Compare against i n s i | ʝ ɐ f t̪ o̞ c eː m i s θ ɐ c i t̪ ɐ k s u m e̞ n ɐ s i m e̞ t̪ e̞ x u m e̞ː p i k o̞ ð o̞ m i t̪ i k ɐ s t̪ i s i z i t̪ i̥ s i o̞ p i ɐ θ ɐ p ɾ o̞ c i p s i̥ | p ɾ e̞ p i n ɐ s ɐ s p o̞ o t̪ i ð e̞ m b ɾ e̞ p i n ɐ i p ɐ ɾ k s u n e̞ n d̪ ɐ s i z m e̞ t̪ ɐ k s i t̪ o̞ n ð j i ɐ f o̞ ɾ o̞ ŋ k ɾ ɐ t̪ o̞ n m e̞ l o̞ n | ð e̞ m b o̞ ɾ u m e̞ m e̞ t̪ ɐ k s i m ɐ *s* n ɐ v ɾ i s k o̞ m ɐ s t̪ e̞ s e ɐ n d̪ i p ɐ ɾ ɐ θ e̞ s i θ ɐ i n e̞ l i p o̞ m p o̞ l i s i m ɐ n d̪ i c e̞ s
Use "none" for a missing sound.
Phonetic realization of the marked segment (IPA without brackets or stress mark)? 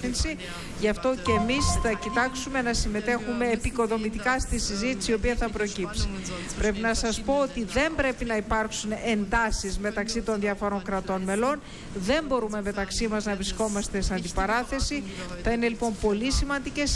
z